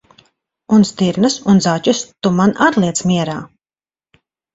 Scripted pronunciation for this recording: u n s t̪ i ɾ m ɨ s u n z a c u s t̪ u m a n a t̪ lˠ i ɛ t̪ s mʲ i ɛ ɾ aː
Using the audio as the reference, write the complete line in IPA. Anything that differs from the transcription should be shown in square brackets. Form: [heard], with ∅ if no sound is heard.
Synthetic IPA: u n s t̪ i ɾ [n] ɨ s u n z a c u s t̪ u m a n a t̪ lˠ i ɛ t̪ s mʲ i ɛ ɾ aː